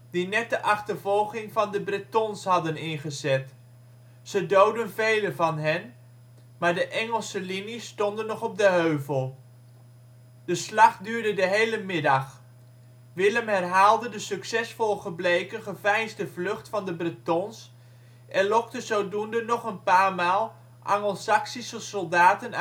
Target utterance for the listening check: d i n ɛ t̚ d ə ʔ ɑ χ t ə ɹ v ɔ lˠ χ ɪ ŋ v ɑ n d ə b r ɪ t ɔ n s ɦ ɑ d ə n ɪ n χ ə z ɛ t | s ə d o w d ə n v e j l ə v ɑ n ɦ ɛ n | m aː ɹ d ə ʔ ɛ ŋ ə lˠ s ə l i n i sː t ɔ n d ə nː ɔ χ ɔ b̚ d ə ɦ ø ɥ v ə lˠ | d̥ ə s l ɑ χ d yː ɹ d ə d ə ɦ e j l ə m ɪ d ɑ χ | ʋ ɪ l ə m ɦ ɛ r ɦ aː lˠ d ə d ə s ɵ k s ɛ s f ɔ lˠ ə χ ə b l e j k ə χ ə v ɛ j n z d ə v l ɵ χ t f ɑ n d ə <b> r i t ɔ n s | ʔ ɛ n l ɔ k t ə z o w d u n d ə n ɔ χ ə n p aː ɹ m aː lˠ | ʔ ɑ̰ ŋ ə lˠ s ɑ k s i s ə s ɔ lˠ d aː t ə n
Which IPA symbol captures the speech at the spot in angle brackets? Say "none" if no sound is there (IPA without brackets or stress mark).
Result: b